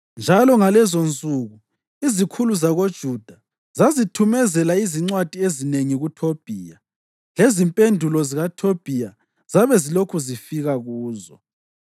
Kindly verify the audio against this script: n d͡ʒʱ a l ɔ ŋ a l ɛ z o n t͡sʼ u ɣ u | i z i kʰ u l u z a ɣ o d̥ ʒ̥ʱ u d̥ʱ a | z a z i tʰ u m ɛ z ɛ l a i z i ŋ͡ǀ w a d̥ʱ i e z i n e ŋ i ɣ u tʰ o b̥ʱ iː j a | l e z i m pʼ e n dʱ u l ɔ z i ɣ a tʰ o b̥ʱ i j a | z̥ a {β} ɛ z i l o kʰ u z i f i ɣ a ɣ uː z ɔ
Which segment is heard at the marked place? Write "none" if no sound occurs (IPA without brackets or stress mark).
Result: β